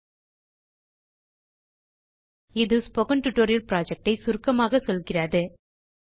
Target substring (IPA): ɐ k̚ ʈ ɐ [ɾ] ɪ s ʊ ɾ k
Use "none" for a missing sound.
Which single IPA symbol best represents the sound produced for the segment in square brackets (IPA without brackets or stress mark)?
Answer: none